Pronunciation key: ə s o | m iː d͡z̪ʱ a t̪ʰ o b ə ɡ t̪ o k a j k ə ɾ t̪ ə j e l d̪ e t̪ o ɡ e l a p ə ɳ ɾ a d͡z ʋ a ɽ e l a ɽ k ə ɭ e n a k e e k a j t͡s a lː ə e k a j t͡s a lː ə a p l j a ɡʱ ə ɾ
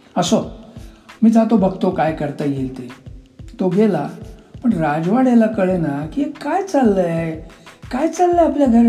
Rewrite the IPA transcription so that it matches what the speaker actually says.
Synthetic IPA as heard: ə s o | m iː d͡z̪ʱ a t̪ o b ə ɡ t̪ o k a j k ə ɾ t̪ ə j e l t̪ e t̪ o ɡ e l a p ə ɳ ɾ a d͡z ʋ a ɽ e l a k ə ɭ e n a k i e k a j t͡s a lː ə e k a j t͡s a lː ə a p l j a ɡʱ ə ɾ